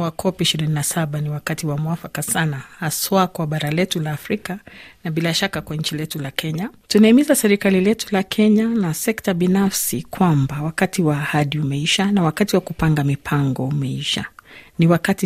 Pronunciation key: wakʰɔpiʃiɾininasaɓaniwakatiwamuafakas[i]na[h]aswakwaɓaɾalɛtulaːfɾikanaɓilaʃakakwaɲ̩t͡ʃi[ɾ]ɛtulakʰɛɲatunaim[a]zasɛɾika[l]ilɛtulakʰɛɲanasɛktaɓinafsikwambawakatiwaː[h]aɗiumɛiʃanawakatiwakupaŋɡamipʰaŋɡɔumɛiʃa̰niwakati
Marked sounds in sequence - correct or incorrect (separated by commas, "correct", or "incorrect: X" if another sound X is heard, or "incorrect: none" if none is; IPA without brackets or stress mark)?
incorrect: a, correct, incorrect: l, incorrect: i, correct, correct